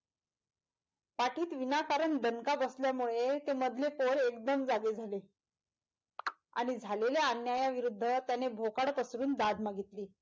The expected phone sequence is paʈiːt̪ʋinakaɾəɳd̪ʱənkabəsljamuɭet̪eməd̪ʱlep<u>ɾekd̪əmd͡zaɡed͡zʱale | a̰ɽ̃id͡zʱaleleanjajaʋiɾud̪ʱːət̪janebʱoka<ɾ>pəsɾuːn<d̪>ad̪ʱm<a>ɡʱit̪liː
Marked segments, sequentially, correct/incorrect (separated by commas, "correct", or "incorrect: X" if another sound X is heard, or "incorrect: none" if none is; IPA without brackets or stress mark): incorrect: o, incorrect: ɽ, correct, correct